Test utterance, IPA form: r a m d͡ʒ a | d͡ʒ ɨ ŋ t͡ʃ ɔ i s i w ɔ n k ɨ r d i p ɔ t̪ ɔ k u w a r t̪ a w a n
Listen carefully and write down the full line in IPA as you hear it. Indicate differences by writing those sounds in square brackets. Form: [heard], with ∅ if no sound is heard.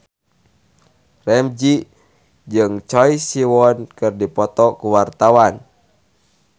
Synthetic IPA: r [ɛ] m d͡ʒ [i] | d͡ʒ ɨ ŋ t͡ʃ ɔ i s i w ɔ n k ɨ r d i p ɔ t̪ ɔ k u w a r t̪ a w a n